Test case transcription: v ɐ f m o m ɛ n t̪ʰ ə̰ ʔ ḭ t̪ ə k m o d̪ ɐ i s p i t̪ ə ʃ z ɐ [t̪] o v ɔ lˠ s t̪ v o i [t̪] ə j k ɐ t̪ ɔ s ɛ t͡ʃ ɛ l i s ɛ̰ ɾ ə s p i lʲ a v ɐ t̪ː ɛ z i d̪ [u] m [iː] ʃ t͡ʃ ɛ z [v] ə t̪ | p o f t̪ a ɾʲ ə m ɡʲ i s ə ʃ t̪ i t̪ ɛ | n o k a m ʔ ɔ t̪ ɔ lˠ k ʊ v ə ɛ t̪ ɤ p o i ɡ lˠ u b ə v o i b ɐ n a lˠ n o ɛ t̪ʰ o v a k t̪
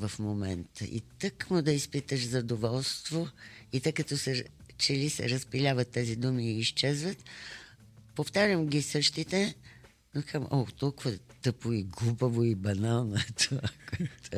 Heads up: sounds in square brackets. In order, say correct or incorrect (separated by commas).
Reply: incorrect, correct, correct, correct, correct